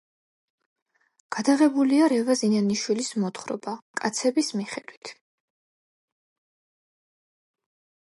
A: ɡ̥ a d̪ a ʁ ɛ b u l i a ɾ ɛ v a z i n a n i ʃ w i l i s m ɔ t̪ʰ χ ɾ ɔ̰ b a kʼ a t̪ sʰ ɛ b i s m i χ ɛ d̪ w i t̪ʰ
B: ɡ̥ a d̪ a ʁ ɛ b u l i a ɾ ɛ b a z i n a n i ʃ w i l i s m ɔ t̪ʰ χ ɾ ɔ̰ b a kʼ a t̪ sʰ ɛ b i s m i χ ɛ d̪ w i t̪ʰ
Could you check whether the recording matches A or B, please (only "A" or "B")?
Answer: A